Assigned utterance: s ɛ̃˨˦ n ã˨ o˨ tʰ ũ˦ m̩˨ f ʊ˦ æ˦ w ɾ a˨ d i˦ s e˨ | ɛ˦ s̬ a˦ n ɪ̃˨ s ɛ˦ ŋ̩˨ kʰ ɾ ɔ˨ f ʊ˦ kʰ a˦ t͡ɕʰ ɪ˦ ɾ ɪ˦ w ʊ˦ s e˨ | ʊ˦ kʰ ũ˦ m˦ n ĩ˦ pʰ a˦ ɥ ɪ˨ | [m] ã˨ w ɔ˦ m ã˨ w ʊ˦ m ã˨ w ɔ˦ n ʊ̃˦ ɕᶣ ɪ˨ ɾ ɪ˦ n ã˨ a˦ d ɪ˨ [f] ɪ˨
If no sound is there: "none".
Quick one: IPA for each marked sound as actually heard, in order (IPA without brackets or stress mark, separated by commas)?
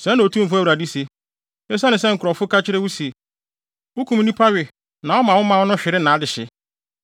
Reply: n, ɕ